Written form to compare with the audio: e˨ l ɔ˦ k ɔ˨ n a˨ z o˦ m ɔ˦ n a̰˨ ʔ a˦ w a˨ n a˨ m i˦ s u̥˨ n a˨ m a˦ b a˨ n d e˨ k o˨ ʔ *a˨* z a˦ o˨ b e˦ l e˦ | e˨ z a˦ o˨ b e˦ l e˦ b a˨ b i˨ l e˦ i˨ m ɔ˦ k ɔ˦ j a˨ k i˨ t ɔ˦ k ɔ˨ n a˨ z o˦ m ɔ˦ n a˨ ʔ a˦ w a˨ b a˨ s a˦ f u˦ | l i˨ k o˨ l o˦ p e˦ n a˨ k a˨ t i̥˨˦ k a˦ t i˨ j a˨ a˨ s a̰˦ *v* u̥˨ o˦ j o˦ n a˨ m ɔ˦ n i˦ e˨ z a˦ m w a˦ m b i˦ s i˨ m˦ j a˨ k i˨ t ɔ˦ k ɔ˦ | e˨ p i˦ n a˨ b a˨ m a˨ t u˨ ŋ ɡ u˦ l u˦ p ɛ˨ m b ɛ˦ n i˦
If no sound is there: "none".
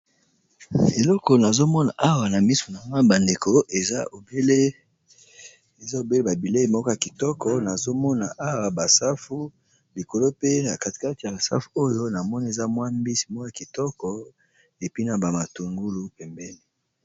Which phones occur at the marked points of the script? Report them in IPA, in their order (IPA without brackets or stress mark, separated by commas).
e˨, f